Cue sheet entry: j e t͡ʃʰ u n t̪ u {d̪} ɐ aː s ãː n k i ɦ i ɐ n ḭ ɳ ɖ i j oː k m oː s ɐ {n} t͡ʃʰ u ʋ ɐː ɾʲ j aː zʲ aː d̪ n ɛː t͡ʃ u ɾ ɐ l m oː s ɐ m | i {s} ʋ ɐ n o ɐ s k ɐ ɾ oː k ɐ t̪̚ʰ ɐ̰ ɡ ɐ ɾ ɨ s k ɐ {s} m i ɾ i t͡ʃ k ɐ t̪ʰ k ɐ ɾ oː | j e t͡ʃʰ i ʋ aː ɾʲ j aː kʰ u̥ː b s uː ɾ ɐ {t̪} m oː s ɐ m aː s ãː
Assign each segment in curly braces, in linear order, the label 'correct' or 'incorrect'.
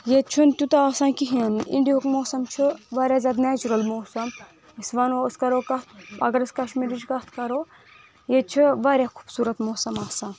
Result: incorrect: t̪, incorrect: m, correct, incorrect: ʃ, correct

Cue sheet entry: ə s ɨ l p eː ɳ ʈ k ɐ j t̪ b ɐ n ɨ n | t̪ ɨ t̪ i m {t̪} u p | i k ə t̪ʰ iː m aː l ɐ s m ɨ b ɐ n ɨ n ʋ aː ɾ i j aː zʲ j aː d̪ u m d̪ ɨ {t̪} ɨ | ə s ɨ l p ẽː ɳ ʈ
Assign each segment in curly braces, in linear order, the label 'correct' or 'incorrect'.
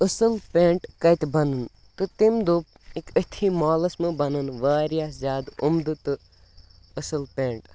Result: incorrect: d̪, correct

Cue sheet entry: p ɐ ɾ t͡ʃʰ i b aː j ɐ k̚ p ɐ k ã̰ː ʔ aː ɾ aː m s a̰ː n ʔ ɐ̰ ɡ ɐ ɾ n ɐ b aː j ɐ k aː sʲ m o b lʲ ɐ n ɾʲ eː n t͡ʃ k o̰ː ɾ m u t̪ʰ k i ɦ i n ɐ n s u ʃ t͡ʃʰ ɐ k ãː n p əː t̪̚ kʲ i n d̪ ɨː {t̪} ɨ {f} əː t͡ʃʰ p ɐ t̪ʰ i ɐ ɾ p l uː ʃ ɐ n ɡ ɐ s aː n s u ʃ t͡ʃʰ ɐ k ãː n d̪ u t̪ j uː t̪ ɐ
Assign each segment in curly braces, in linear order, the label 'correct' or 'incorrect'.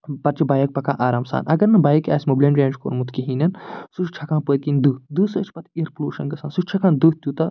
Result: incorrect: d̪, incorrect: s

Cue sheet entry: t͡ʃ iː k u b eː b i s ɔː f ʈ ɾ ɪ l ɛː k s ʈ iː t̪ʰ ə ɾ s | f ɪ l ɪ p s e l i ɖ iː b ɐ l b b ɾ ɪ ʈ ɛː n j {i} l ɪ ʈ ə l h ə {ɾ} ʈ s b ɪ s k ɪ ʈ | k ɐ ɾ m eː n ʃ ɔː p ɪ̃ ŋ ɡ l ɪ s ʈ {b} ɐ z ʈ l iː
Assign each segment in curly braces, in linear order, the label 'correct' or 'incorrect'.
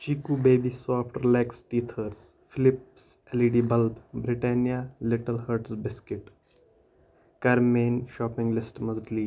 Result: incorrect: a, correct, incorrect: m

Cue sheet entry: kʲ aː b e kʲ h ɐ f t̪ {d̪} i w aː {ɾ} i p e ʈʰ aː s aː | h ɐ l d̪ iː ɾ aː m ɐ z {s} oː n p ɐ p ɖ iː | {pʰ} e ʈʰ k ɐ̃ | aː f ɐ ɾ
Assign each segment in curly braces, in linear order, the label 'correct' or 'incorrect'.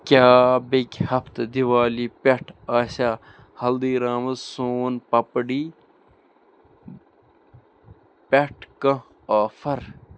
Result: correct, incorrect: l, correct, incorrect: p

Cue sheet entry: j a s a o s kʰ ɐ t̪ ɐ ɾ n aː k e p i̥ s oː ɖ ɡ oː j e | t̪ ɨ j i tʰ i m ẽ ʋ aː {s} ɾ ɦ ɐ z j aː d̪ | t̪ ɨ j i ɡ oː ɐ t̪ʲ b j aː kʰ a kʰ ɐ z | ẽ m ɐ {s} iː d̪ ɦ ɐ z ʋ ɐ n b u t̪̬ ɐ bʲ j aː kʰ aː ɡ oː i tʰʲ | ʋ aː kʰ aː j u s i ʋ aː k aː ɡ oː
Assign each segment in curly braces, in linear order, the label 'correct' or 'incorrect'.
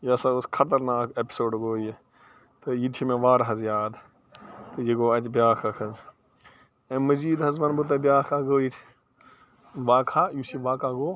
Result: incorrect: none, incorrect: z

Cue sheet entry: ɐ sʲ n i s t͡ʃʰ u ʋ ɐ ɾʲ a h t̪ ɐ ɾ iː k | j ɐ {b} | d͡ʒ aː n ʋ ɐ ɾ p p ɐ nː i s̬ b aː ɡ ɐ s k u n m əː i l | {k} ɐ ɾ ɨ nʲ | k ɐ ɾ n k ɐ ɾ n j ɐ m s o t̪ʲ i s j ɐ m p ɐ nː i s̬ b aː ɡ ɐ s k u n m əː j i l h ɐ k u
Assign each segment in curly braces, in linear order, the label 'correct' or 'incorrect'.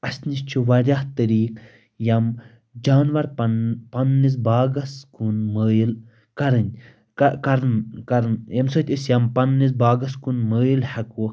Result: incorrect: m, correct

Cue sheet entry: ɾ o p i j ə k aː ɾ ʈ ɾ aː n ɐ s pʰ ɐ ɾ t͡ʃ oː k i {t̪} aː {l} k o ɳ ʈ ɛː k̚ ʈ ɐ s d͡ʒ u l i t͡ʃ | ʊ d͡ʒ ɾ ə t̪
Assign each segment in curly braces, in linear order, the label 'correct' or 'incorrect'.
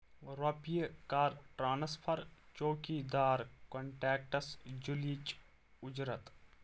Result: incorrect: d̪, incorrect: ɾ

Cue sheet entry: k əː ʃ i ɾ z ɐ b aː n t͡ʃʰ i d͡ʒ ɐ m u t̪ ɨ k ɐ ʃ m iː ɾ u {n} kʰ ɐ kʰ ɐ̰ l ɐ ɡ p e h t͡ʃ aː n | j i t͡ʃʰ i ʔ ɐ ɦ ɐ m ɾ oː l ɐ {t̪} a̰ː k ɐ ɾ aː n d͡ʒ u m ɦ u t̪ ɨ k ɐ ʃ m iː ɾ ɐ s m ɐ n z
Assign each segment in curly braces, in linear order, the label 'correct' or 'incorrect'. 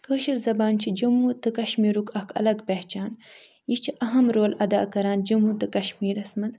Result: incorrect: none, incorrect: d̪

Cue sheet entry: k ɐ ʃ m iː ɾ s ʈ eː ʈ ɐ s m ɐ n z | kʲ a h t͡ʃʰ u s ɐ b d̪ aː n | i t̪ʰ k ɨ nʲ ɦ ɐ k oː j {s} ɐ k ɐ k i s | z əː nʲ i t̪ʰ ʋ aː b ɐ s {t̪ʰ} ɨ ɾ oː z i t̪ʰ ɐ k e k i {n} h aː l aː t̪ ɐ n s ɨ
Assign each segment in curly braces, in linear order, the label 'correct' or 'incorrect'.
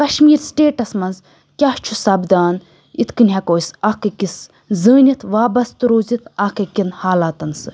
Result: correct, incorrect: t̪, correct

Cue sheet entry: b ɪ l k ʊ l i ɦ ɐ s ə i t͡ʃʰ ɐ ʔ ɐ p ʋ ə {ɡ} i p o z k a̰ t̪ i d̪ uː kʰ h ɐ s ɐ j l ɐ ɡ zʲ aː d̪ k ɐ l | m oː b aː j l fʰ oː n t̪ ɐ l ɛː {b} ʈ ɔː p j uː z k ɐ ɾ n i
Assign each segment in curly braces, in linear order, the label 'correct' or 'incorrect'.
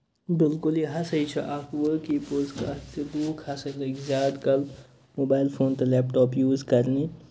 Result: incorrect: k, incorrect: p

